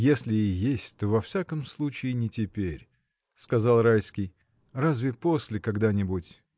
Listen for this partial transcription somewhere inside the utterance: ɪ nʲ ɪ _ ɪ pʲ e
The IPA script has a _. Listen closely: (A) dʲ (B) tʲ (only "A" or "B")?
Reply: B